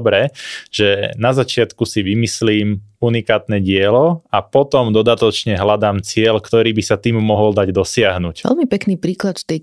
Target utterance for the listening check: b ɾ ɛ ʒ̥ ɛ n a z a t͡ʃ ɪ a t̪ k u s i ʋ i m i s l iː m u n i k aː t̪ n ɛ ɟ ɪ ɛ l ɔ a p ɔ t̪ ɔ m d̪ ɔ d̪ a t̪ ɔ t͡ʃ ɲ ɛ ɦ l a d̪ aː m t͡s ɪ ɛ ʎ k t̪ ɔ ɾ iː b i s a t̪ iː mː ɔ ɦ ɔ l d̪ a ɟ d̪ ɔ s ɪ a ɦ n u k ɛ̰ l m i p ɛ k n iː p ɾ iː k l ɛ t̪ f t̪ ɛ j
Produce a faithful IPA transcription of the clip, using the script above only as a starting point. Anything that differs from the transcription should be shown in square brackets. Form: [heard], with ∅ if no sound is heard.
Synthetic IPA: b ɾ ɛ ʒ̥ ɛ n a z a t͡ʃ ɪ a t̪ k u s i ʋ i m i s l iː m u n i k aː t̪ n ɛ ɟ ɪ ɛ l ɔ a p ɔ t̪ ɔ m d̪ ɔ d̪ a t̪ ɔ t͡ʃ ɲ ɛ ɦ l a d̪ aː m t͡s ɪ ɛ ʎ k t̪ ɔ ɾ iː b i s a t̪ iː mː ɔ ɦ ɔ l d̪ a ɟ d̪ ɔ s ɪ a ɦ n u [c] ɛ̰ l m i p ɛ k n iː p ɾ iː k l [a] t̪ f t̪ ɛ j